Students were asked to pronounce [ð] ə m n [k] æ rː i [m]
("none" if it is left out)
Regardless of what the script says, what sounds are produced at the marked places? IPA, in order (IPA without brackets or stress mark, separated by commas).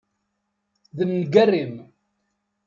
ð, ɡ, m